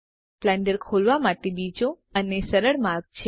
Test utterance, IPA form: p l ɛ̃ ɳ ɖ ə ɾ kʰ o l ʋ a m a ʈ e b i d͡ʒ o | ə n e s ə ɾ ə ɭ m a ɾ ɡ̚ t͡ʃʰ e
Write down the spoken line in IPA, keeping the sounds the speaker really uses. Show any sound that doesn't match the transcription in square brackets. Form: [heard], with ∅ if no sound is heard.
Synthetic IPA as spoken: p l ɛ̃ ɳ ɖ ə ɾ kʰ o l ʋ a m a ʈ e b i d͡ʒ o | ə n e s ə ɾ ə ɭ m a ɾ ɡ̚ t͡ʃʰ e